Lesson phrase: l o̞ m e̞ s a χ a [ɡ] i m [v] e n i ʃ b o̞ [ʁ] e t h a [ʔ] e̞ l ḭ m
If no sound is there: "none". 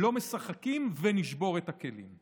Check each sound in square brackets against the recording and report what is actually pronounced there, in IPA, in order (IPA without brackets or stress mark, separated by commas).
k, v, ʁ, k